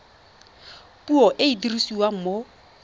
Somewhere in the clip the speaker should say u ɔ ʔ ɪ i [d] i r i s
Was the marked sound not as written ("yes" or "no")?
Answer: no